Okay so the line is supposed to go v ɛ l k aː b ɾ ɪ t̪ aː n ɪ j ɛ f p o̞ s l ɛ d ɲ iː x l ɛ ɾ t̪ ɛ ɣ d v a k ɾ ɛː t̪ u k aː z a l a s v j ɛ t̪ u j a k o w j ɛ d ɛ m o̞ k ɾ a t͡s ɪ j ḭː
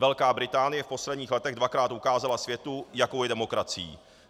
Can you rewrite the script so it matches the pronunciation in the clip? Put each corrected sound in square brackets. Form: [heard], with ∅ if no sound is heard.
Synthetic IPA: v ɛ l k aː b ɾ ɪ t̪ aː n ɪ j ɛ f p o̞ s l ɛ d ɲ iː x l ɛ [∅] t̪ ɛ ɣ d v a k ɾ [aː] t̪ u k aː z a l a s v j ɛ t̪ u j a k o w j ɛ d ɛ m o̞ k ɾ a t͡s ɪ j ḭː

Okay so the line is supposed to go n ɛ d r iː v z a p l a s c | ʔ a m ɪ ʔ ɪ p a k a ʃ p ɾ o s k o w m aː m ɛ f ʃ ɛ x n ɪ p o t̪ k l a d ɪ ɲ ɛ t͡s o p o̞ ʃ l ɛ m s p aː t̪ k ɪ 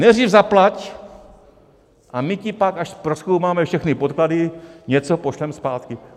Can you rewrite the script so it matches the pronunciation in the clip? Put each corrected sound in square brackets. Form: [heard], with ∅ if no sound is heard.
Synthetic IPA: n ɛ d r iː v z a p l a [∅] c | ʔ a m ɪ [c] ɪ p a k a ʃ p ɾ o s k o w m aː m ɛ f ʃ ɛ x n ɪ p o t̪ k l a d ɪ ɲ ɛ t͡s o p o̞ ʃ l ɛ m s p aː t̪ k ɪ

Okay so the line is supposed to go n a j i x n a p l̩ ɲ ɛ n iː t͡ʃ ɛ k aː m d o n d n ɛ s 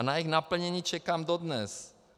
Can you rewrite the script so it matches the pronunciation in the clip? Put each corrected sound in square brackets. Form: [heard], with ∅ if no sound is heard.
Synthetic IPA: n a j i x n a p l̩ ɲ ɛ [ɲ] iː t͡ʃ ɛ k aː m d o [∅] d n ɛ s

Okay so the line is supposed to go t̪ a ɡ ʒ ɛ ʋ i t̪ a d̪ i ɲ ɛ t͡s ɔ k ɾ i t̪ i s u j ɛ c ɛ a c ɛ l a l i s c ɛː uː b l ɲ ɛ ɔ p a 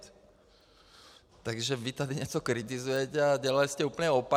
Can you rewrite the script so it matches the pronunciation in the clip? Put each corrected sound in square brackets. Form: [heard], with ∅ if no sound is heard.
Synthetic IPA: t̪ a ɡ ʒ ɛ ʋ i t̪ a d̪ i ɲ ɛ t͡s ɔ k ɾ i t̪ i [z] u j ɛ c ɛ a [ɟ] ɛ l a l i s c [ɛ] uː [p] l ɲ ɛ ɔ p a

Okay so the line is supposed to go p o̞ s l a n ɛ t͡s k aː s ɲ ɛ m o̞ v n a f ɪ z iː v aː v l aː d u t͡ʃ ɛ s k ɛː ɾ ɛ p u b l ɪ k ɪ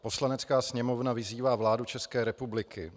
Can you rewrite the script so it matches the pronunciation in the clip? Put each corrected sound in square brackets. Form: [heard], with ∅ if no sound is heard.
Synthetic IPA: p o̞ s l a n ɛ t͡s k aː s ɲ ɛ m o̞ v n a [v] ɪ z iː v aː v l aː d u t͡ʃ ɛ s k ɛː ɾ ɛ p u b l ɪ k ɪ

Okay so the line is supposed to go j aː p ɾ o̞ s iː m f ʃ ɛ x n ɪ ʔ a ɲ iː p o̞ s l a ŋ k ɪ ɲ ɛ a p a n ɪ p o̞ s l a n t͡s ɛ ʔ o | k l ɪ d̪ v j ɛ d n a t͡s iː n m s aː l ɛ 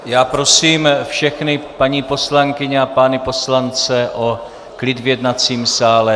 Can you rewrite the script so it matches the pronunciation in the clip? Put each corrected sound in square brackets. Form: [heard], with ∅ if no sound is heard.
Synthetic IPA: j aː p ɾ o̞ s iː m f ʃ ɛ x n ɪ [p] a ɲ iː p o̞ s l a ŋ k ɪ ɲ ɛ a p a n ɪ p o̞ s l a n t͡s ɛ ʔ o | k l ɪ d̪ v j ɛ d n a t͡s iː [∅] m s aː l ɛ

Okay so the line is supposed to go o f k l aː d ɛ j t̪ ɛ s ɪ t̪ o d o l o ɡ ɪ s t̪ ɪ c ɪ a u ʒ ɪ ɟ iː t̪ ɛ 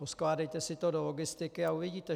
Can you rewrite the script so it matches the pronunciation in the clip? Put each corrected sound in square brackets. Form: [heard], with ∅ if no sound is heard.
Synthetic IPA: o [s] k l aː d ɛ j t̪ ɛ s ɪ t̪ o d o l o ɡ ɪ s t̪ ɪ [k] ɪ a u [v] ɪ ɟ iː t̪ ɛ

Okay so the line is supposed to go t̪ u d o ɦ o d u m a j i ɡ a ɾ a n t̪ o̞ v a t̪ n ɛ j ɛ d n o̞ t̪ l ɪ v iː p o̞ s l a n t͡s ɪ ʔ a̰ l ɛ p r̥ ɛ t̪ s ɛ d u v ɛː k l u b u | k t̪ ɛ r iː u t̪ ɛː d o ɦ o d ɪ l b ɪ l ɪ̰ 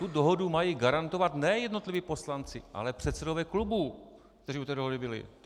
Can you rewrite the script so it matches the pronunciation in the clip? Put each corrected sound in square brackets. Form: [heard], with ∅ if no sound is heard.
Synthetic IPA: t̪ u d o ɦ o d u m a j i ɡ a ɾ a n t̪ o̞ v a t̪ n ɛ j ɛ d n o̞ t̪ l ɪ v iː p o̞ s l a n t͡s ɪ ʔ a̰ l ɛ p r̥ ɛ t̪ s ɛ d [o] v ɛː k l u b u | k t̪ ɛ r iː u t̪ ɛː d o ɦ o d ɪ [∅] b ɪ l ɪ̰

